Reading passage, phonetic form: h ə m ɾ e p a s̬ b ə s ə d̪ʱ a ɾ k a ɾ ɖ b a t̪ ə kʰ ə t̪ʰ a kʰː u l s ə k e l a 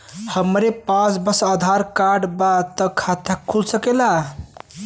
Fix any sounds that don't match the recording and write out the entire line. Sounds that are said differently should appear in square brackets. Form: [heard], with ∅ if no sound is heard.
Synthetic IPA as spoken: h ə m ɾ e p a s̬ b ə s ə d̪ʱ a ɾ k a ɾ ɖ b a t̪ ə kʰ [a] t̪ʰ a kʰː u l s ə k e l a